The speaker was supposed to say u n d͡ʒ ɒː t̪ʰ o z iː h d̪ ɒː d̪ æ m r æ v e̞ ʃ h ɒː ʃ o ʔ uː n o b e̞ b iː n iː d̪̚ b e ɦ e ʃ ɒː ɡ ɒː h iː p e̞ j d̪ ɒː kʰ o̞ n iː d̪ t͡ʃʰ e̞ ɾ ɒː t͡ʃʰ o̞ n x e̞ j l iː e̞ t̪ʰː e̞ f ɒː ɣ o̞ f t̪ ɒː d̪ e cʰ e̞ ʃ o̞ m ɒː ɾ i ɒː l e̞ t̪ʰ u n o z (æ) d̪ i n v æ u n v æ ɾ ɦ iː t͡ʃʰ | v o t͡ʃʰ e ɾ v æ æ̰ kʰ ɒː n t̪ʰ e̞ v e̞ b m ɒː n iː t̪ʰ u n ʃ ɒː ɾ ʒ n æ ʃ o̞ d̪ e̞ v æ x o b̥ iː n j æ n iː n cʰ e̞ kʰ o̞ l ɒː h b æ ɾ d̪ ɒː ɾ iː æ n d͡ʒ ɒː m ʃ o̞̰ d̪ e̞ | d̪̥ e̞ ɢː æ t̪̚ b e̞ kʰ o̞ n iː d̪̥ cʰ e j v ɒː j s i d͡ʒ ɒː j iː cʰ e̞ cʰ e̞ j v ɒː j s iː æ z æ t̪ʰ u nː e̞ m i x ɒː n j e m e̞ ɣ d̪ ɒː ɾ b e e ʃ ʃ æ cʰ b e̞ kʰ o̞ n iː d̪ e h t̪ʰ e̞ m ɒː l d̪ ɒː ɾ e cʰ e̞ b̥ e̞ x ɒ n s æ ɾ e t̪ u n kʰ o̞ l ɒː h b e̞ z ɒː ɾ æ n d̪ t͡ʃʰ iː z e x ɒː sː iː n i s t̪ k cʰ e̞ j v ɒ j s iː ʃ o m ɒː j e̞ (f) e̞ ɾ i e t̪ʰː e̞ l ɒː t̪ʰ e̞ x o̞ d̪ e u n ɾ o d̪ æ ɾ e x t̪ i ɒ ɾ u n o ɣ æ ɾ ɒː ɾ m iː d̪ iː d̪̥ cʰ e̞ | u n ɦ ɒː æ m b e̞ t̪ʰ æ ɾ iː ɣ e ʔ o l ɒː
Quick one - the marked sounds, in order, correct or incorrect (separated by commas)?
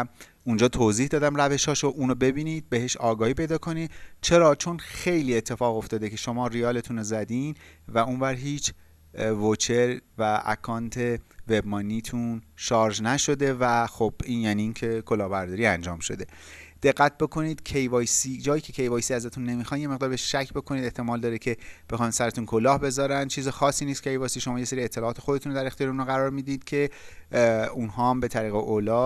correct, incorrect